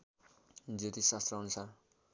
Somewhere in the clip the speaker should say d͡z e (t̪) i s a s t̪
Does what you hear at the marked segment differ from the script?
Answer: no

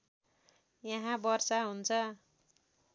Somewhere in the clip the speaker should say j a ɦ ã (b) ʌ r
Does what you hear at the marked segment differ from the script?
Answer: no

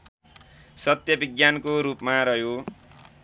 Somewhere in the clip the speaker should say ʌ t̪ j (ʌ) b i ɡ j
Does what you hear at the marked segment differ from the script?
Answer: no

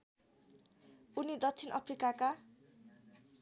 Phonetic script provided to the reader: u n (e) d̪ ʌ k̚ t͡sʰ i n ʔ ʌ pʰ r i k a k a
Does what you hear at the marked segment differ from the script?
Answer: yes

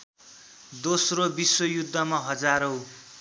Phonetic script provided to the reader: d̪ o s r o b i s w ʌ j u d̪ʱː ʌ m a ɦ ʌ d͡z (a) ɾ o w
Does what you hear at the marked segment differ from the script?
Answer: no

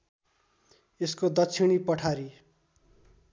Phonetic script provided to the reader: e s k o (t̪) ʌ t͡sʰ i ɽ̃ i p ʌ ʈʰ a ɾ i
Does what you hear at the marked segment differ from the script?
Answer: yes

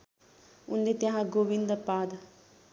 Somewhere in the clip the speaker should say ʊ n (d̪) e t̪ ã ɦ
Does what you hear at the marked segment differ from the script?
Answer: no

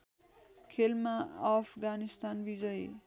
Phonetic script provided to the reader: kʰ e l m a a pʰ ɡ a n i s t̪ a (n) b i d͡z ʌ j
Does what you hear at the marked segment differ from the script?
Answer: no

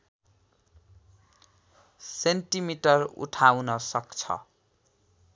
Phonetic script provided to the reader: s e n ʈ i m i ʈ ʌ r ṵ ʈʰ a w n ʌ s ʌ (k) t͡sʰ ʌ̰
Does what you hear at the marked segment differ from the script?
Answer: no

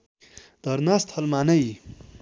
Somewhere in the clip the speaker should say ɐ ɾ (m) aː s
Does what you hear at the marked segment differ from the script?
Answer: yes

